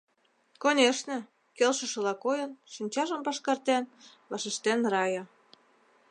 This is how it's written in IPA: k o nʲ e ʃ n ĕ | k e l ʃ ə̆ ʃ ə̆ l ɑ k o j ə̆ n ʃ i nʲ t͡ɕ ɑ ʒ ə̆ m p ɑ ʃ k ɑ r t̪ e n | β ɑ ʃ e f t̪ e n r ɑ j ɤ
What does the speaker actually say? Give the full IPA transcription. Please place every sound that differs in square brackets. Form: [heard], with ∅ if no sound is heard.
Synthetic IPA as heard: k o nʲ e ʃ n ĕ | k e l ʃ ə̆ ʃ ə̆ l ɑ k o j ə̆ n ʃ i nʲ t͡ɕ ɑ ʒ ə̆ m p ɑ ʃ k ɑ r t̪ e n | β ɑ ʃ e [ʃ] t̪ e n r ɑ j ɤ